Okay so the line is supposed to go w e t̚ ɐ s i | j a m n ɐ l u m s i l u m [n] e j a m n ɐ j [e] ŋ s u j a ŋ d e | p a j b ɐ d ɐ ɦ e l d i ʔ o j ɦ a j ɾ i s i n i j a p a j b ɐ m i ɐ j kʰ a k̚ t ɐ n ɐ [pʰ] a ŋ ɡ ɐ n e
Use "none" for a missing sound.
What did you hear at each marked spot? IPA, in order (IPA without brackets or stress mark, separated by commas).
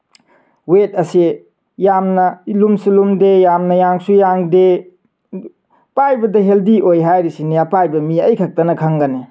d, a, kʰ